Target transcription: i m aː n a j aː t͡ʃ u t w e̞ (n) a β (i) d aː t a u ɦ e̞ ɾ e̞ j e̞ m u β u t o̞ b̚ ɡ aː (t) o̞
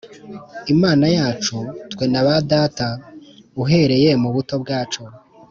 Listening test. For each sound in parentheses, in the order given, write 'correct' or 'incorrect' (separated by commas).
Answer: correct, incorrect, incorrect